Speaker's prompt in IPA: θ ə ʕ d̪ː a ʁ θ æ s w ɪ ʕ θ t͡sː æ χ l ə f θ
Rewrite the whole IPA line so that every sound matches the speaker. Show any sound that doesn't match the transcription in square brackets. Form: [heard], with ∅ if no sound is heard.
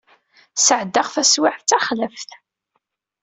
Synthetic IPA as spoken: [s] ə ʕ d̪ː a ʁ θ æ s w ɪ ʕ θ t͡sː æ χ l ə f θ